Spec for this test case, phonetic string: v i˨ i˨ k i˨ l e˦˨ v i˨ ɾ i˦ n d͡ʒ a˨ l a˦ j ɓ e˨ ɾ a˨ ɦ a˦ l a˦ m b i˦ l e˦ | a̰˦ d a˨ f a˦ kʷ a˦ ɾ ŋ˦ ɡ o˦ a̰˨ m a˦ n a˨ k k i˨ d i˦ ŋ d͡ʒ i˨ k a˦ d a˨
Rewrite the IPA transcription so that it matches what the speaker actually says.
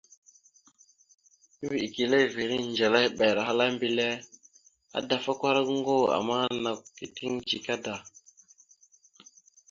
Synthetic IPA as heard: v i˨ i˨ k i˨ l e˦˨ v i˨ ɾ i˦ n d͡ʒ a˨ l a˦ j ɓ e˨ ɾ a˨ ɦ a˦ l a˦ m b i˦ l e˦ | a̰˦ d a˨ f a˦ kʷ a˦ ɾ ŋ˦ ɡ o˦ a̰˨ m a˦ n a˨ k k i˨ t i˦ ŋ d͡ʒ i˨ k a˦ d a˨